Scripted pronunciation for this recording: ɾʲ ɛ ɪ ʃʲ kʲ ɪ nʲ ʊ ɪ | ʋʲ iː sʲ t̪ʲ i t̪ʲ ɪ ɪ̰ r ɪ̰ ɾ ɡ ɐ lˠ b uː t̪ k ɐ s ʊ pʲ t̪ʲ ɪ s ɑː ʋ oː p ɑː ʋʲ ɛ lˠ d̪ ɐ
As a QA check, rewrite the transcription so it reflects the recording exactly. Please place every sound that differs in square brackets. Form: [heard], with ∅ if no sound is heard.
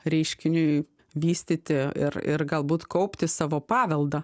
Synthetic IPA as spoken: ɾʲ ɛ ɪ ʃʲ kʲ ɪ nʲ ʊ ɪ | ʋʲ iː sʲ t̪ʲ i t̪ʲ ɪ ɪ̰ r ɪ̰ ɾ ɡ ɐ lˠ b uː t̪ k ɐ [∅] ʊ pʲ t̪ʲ ɪ s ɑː ʋ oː p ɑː ʋʲ ɛ lˠ d̪ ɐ